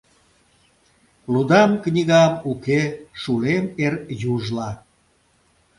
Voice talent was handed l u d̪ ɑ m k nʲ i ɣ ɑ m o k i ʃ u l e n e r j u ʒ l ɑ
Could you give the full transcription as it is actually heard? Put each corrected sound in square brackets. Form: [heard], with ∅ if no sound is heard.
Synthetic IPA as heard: l u d̪ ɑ m k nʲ i ɣ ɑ m [u] k [e] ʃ u l e [m] e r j u ʒ l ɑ